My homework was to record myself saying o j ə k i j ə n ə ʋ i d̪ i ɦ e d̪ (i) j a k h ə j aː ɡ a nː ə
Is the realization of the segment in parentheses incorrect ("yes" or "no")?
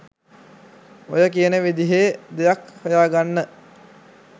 yes